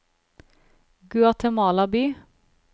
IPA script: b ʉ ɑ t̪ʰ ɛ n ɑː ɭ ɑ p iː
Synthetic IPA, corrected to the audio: ɡ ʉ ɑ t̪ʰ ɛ m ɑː l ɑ b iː